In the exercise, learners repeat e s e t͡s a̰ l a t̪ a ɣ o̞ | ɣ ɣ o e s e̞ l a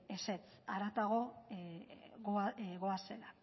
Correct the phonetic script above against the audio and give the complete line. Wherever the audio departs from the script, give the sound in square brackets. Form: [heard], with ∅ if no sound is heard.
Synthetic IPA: e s e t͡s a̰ [ɾ] a t̪ a ɣ o̞ | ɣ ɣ o [a] s e̞ l a